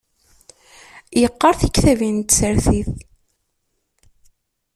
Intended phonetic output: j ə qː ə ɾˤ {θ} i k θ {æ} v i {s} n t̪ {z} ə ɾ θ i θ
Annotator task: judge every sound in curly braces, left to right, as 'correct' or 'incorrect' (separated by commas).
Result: correct, correct, incorrect, incorrect